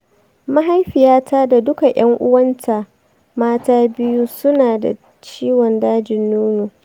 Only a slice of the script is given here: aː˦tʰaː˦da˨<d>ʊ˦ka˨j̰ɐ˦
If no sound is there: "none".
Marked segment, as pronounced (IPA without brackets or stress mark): d